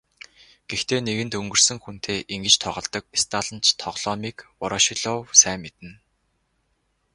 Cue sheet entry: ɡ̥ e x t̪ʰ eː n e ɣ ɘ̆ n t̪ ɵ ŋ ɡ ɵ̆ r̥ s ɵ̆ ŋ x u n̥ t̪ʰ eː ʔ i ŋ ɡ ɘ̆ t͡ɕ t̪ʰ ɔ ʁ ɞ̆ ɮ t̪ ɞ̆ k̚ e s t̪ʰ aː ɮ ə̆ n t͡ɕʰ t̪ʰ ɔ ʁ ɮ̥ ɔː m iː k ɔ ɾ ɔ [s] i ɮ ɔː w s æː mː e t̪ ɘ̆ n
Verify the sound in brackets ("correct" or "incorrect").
incorrect